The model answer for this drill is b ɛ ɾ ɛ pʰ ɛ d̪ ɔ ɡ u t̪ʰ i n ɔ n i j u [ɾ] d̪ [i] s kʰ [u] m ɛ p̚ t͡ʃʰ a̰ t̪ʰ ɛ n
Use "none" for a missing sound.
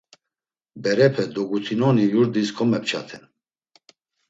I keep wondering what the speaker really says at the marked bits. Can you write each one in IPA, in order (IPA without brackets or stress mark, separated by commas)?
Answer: ɾ, i, ɔ